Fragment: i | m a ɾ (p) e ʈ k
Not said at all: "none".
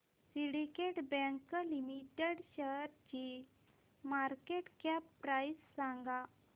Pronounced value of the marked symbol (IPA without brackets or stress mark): k